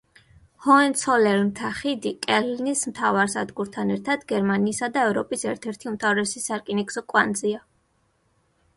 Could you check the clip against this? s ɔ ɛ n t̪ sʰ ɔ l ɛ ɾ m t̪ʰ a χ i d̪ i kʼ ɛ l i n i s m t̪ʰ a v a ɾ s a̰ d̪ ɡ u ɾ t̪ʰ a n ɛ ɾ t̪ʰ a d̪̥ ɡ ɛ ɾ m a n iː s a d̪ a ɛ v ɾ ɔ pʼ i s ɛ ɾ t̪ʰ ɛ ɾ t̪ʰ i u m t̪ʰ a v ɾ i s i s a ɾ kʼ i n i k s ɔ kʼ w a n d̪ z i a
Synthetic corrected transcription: h ɔ ɛ n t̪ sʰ ɔ l ɛ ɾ m t̪ʰ a χ i d̪ i kʼ ɛ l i n i s m t̪ʰ a v a ɾ s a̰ d̪ ɡ u ɾ t̪ʰ a n ɛ ɾ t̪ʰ a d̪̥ ɡ ɛ ɾ m a n iː s a d̪ a ɛ v ɾ ɔ pʼ i s ɛ ɾ t̪ʰ ɛ ɾ t̪ʰ i u m t̪ʰ a v ɾ ɛ s i s a ɾ kʼ i n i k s ɔ kʼ w a n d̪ z i a